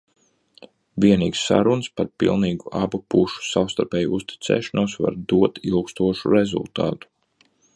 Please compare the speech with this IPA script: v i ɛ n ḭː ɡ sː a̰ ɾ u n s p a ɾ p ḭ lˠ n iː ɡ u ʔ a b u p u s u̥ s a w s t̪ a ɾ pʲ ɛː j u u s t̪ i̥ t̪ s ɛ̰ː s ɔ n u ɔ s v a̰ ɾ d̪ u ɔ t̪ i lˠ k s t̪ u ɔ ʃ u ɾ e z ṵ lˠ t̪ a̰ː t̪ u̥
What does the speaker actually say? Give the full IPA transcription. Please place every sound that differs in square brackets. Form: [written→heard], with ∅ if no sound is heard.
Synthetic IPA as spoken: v i ɛ n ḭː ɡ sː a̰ ɾ u n s p a ɾ p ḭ lˠ n iː ɡ u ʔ a b u p u [s→ʃ] u̥ s a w s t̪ a ɾ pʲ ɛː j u u s t̪ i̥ t̪ s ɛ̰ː [s→ʃ] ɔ n u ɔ s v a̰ ɾ d̪ u ɔ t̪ i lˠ k s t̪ u ɔ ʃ u ɾ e z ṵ lˠ t̪ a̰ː t̪ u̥